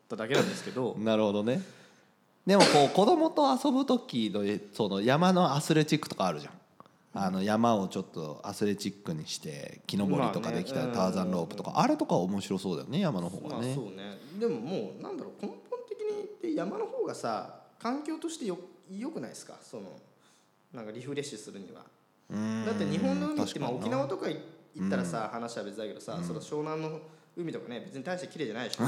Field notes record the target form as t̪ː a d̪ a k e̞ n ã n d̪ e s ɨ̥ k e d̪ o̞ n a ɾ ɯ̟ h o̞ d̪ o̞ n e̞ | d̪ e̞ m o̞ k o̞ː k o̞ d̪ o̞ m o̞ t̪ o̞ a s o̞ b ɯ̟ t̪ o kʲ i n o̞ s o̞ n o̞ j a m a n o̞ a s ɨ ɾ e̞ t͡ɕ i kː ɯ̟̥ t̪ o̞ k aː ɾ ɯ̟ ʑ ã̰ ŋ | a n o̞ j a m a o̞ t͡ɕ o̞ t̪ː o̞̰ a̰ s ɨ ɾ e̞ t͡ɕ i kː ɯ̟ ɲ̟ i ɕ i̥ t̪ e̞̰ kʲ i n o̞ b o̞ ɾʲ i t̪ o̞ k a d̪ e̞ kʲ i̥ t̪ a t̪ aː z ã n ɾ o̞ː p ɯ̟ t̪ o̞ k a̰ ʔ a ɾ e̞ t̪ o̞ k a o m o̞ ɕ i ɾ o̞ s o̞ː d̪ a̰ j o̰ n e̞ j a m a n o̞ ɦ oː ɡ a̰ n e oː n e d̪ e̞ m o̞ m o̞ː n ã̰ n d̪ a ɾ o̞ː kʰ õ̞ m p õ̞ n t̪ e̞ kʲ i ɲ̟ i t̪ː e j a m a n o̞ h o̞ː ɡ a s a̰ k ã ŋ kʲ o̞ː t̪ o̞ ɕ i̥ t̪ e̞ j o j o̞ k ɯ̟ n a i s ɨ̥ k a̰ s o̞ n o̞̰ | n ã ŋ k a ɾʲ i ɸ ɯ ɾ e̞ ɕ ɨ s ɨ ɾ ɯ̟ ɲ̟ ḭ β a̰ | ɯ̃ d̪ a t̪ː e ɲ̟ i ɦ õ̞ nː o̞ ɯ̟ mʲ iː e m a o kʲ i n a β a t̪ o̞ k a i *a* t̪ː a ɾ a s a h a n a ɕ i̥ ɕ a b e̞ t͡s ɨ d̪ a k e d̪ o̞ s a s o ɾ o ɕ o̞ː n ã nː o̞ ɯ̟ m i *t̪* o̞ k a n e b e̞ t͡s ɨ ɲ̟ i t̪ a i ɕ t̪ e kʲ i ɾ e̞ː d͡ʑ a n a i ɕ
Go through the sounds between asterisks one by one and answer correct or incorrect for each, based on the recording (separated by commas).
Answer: incorrect, correct